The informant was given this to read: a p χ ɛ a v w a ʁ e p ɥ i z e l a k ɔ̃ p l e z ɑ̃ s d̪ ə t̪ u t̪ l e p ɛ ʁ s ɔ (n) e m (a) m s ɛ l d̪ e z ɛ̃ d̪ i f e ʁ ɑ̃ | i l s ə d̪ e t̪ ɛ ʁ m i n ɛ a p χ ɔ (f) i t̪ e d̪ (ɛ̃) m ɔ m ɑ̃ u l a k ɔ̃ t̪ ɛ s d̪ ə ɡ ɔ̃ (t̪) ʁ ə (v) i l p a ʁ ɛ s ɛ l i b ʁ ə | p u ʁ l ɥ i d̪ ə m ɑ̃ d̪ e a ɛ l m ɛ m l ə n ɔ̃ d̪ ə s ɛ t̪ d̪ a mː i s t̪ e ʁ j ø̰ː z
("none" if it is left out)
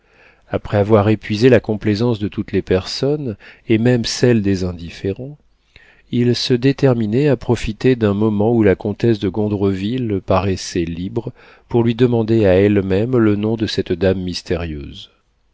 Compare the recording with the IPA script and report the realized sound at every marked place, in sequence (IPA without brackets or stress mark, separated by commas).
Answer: n, ɛ, f, ɛ̃, d̪, v